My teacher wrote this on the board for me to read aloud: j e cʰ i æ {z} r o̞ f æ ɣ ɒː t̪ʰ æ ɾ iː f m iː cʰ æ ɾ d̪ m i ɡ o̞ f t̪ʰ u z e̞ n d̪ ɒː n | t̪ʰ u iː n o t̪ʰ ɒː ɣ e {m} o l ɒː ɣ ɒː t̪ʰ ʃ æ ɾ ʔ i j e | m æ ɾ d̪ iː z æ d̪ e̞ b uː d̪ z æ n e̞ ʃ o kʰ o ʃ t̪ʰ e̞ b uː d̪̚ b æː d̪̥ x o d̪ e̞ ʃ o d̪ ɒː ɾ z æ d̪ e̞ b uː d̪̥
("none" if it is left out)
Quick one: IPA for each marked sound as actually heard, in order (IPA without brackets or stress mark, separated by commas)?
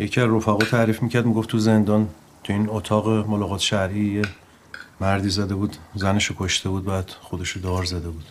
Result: z, m